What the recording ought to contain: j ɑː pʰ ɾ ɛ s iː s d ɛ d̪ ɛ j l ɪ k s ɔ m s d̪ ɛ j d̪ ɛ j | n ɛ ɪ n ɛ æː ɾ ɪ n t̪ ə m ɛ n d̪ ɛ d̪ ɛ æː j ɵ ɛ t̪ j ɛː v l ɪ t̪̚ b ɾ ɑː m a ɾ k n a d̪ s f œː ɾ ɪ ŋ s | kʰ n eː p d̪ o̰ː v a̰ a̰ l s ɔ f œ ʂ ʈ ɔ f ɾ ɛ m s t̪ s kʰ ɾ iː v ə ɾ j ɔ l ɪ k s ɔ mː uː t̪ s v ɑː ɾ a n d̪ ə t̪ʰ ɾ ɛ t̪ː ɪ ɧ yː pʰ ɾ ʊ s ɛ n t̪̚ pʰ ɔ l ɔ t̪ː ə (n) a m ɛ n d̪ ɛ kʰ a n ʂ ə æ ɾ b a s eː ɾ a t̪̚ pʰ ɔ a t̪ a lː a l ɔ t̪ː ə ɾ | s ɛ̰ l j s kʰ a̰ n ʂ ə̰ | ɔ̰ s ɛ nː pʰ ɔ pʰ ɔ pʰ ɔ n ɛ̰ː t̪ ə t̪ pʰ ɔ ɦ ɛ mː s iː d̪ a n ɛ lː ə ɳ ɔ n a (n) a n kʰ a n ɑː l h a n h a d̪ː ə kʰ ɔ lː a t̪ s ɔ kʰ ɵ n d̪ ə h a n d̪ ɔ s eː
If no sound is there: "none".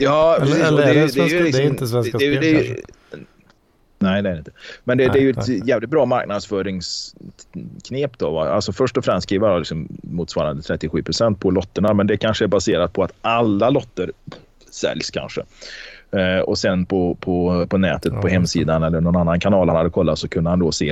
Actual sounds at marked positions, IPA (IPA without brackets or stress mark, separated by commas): ɳ, nː